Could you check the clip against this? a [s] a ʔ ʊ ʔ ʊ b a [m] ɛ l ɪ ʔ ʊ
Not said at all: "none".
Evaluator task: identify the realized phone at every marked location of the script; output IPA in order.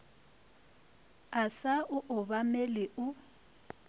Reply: s, m

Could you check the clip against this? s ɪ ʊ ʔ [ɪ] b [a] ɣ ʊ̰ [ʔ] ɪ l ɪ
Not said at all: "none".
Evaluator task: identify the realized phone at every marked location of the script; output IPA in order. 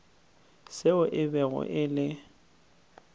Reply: ɪ, ɛ, ʔ

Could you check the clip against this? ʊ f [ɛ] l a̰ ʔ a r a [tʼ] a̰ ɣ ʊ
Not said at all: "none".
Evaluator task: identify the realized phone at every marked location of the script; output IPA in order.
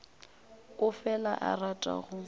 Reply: ɛ, tʼ

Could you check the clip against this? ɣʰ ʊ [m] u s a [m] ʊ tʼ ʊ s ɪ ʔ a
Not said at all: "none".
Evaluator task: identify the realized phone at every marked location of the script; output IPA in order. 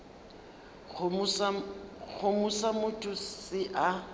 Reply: m, m

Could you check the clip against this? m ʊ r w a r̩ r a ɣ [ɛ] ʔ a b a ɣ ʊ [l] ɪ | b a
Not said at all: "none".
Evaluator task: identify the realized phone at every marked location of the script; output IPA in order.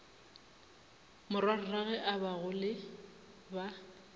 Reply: ɛ, l

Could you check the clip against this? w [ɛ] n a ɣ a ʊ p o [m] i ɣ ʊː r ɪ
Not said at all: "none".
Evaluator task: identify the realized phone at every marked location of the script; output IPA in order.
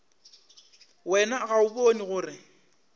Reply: ɛ, n

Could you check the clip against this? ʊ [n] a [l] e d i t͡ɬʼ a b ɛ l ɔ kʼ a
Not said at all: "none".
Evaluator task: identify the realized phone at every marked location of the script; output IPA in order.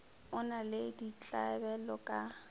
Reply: n, l

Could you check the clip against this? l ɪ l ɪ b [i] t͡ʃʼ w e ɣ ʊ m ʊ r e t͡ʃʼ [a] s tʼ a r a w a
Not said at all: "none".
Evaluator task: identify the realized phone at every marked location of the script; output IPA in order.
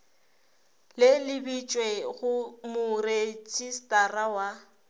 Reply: i, i

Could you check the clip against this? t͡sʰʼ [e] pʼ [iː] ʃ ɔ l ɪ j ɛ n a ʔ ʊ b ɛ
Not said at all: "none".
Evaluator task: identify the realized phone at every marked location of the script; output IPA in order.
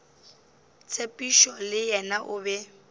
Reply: e, i

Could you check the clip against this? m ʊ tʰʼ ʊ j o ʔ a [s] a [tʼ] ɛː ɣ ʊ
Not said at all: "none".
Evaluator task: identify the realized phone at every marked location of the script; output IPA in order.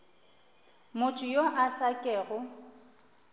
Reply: s, kʼ

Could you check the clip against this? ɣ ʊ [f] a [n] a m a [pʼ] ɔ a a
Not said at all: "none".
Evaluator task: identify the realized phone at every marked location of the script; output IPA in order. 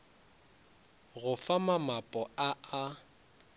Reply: f, m, pʼ

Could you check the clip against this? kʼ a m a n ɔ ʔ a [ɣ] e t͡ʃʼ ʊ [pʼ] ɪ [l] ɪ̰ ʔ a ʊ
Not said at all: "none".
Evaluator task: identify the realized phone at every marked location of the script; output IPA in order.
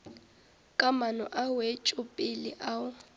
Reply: w, pʼ, l

